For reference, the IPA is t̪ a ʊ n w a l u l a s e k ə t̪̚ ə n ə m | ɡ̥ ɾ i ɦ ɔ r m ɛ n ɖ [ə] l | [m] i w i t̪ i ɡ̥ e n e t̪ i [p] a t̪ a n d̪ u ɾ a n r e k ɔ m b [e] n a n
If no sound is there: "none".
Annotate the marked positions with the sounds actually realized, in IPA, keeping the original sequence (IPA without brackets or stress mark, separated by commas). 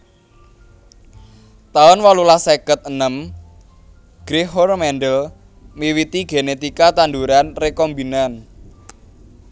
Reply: ə, m, k, i